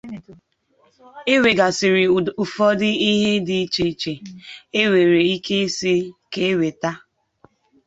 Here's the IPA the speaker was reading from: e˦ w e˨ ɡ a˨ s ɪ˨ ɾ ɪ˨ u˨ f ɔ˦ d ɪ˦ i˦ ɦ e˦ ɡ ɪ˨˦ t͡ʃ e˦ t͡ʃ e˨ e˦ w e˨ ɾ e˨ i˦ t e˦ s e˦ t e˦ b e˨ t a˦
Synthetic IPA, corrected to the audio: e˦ w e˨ ɡ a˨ s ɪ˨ ɾ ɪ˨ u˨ f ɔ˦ d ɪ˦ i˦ ɦ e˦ d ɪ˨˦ t͡ʃ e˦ t͡ʃ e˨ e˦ w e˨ ɾ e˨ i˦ k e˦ s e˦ k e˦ w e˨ t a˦